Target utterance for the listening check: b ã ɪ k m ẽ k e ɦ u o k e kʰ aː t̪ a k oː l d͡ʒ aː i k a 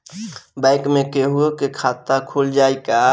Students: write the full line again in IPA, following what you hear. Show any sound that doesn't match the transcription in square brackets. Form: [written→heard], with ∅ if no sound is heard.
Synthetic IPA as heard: b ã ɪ k m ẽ k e ɦ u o k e kʰ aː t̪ a [k→kʰ] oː l d͡ʒ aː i k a